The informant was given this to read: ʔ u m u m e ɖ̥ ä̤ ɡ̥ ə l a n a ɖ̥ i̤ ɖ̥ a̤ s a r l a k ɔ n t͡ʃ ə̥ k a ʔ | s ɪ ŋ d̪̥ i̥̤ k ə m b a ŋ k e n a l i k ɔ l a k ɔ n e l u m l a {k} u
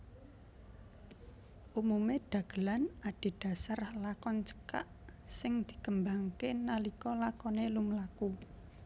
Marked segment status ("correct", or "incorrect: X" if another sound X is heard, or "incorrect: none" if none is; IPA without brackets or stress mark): correct